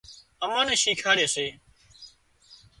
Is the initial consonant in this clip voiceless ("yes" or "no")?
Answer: no